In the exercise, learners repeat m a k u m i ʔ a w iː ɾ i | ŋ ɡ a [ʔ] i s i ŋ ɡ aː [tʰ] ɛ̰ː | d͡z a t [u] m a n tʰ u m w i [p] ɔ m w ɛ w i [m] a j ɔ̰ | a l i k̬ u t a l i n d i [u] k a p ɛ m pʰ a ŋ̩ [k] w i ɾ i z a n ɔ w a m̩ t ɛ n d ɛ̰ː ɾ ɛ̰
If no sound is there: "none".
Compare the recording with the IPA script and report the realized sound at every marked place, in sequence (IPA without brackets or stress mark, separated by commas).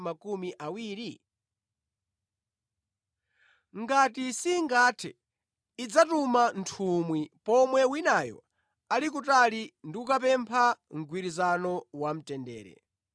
t, tʰ, u, p, n, u, ɡ